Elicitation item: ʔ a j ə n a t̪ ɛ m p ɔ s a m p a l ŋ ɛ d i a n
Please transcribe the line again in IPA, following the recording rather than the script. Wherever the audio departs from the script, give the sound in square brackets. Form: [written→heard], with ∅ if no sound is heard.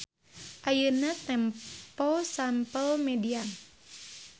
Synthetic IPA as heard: ʔ a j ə n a t̪ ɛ m p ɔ s a m p [a→ə] l [ŋ→m] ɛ d i a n

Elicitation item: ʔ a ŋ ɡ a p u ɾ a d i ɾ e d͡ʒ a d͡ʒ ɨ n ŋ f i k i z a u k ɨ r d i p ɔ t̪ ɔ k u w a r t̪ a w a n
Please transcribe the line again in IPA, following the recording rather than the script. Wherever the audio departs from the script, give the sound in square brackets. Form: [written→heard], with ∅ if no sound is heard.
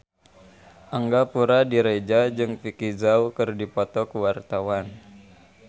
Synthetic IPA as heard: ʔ a ŋ ɡ a p u ɾ a d i ɾ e d͡ʒ a d͡ʒ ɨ [n→∅] ŋ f i k i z a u k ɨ r d i p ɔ t̪ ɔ k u w a r t̪ a w a n

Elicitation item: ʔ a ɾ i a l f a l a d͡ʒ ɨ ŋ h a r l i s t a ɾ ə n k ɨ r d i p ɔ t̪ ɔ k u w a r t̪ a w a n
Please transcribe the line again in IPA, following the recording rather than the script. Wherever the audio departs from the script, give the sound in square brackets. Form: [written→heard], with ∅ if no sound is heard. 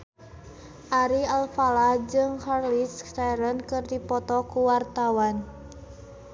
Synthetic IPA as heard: ʔ a ɾ i a l f a l a d͡ʒ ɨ ŋ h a r l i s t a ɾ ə n k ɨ r d i p ɔ t̪ ɔ k u w a r t̪ a w a n

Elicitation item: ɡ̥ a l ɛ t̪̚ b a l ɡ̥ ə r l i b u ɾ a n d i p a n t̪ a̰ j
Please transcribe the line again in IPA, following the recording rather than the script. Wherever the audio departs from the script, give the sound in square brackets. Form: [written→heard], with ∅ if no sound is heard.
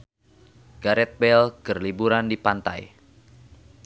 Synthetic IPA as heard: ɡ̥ a [l→ɾ] ɛ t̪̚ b [a→ɛ] l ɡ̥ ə r l i b u ɾ a n d i p a n t̪ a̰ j

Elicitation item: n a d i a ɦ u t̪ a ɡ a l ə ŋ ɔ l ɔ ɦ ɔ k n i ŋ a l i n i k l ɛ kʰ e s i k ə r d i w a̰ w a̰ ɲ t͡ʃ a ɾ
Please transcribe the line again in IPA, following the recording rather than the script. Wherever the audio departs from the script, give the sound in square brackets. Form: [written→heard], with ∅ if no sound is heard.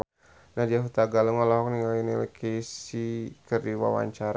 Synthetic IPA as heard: n a d i a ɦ u t̪ a ɡ a l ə ŋ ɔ l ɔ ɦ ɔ k n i ŋ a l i n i [k→∅] l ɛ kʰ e s i k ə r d i w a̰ w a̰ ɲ t͡ʃ a ɾ

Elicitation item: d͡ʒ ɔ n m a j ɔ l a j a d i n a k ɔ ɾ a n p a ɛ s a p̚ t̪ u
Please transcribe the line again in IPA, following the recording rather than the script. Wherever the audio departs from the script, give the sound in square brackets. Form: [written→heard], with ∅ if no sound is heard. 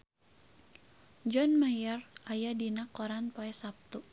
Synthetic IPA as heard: d͡ʒ ɔ n m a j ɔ [l→r] a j a d i n a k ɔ ɾ a n p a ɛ s a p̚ t̪ u

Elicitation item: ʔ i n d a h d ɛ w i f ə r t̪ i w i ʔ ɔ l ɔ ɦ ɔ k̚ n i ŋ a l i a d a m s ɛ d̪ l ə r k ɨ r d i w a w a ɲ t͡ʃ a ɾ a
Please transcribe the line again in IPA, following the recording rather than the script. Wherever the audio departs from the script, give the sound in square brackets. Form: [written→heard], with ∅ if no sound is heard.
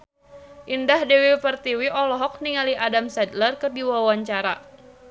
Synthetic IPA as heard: ʔ i n d a h d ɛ w i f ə r t̪ i w i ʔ ɔ l ɔ ɦ ɔ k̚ n i ŋ a l i a d a m s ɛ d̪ l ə r k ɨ r d i w a w a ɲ t͡ʃ a ɾ a

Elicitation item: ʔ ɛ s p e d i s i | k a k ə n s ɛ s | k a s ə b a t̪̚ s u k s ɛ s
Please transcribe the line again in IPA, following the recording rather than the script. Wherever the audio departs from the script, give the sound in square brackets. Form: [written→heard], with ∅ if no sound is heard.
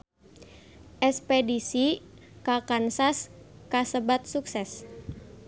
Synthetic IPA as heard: ʔ ɛ s p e d i s i | k a k [ə→a] n s [ɛ→a] s | k a s ə b a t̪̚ s u k s ɛ s

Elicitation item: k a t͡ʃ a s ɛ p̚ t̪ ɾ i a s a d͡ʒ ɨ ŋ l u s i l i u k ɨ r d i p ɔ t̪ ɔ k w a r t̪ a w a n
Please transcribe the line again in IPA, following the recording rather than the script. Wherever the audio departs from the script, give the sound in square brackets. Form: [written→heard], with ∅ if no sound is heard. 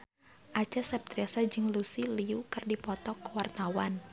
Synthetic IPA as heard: [k→ʔ] a t͡ʃ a s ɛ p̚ t̪ ɾ i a s a d͡ʒ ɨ ŋ l u s i l i u k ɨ r d i p ɔ t̪ ɔ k w a r t̪ a w a n

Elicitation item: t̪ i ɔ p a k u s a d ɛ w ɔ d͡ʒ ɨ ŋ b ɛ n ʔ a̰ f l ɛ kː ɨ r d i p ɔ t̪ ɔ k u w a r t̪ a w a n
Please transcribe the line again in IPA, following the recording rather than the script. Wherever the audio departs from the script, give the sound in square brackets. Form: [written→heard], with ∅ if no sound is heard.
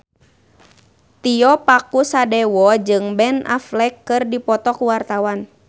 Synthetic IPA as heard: t̪ i ɔ p a k u s a d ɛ w ɔ d͡ʒ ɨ ŋ b ɛ n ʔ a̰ f l ɛ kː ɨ r d i p ɔ t̪ ɔ k u w a r t̪ a w a n

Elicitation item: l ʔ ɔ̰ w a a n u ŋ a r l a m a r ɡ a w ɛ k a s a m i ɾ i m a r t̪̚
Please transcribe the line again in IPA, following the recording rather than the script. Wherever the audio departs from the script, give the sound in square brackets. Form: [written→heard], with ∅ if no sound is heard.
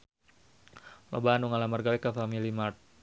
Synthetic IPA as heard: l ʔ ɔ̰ [w→b] a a n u ŋ a [r→∅] l a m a r ɡ a w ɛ k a [s→f] a m i [ɾ→l] i m a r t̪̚

